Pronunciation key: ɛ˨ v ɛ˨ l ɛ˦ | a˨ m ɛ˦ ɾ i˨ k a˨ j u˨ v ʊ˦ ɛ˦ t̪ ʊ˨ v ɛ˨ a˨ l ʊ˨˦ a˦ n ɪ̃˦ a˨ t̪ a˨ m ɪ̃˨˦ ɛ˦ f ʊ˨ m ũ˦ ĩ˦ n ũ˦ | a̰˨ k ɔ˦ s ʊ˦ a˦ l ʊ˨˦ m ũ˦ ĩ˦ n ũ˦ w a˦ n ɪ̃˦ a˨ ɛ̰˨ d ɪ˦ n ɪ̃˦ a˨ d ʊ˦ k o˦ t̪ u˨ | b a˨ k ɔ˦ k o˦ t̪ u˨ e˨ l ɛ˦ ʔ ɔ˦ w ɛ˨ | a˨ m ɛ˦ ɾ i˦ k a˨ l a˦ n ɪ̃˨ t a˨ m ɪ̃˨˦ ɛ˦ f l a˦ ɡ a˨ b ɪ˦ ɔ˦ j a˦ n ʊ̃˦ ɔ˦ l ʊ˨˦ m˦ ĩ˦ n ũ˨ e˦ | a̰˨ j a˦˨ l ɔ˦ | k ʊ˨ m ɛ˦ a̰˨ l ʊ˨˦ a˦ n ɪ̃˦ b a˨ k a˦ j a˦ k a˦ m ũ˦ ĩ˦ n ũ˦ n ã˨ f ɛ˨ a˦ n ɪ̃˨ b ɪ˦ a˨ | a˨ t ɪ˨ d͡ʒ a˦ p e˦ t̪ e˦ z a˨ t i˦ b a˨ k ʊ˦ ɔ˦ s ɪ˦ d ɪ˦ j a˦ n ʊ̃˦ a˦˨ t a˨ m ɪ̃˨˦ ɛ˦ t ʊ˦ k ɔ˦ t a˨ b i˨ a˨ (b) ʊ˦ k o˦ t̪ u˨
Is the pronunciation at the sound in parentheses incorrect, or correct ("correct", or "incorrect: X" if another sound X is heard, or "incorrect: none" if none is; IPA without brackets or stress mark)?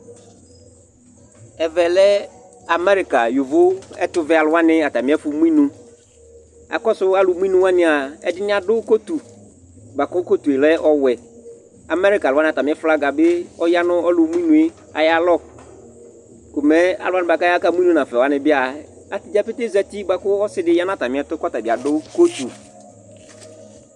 incorrect: d